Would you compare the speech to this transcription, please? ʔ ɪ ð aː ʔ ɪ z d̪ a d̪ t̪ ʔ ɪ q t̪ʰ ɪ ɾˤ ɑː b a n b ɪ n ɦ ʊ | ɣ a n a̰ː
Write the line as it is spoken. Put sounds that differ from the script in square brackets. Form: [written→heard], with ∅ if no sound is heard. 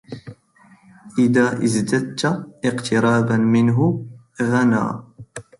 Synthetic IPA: ʔ ɪ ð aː ʔ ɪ z d̪ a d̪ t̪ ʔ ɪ q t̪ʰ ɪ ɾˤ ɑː b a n [b→m] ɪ n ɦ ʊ | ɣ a n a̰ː